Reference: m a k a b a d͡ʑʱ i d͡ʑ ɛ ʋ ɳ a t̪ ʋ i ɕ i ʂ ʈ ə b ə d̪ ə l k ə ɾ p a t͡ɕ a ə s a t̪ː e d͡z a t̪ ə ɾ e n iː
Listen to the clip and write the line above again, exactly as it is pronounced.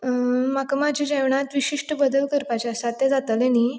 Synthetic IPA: m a k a m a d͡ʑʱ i d͡ʑ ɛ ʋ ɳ a t̪ ʋ i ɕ i ʂ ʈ ə b ə d̪ ə l k ə ɾ p a t͡ɕ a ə s a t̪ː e d͡z a t̪ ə l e n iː